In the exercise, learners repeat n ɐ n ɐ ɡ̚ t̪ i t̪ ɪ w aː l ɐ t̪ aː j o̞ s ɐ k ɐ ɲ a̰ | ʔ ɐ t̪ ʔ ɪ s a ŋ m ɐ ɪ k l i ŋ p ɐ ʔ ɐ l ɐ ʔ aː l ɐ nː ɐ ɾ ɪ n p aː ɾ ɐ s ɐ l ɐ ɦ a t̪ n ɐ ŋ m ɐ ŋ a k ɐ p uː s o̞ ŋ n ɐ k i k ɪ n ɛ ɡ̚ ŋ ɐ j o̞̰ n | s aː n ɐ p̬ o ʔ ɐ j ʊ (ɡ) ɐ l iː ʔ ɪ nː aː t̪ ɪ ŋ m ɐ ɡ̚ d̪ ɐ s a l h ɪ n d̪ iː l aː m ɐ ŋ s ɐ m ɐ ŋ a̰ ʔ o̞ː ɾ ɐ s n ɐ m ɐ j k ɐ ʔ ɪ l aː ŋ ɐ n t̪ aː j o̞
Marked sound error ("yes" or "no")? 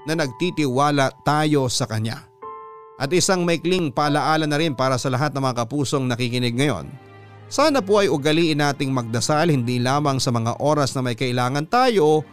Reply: no